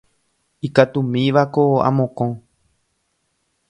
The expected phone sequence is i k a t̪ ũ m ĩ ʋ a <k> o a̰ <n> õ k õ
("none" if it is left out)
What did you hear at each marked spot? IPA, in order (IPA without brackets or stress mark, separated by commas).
k, m